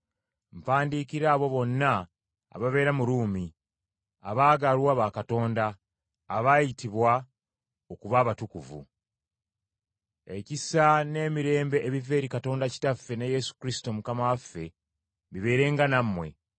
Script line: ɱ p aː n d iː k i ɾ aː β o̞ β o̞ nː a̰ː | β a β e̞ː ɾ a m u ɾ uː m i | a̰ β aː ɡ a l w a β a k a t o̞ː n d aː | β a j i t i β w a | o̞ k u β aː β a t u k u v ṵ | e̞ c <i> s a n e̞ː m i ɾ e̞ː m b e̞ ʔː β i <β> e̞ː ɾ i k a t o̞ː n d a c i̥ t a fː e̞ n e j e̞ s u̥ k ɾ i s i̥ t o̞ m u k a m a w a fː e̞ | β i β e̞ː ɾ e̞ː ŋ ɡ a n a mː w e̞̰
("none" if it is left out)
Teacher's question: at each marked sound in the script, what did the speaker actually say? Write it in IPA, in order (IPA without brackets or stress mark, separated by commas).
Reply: i, v